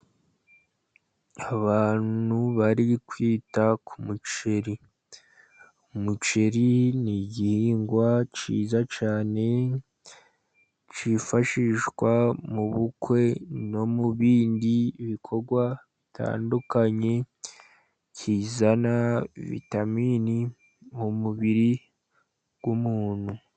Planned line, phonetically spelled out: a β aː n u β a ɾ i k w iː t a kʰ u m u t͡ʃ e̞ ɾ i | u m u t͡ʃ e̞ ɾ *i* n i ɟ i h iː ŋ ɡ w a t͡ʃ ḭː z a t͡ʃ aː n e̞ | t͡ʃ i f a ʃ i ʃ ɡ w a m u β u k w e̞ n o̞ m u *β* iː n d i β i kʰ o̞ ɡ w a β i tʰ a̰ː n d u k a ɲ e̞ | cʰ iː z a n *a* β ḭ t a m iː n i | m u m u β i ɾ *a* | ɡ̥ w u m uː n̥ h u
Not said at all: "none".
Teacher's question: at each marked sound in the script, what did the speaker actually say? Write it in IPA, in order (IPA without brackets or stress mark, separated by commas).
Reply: i, β, a, i